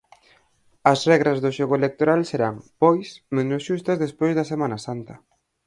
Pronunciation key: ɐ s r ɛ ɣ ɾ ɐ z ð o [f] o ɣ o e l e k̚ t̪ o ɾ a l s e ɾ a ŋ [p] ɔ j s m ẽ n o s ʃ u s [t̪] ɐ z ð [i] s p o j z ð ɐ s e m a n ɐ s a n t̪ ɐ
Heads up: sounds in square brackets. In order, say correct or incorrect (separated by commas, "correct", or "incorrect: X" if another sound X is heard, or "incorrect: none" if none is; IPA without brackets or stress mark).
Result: incorrect: ʃ, correct, correct, incorrect: e